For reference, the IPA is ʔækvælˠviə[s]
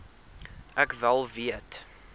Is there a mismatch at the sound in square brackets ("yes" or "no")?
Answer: yes